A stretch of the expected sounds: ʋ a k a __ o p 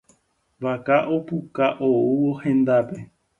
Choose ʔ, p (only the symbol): ʔ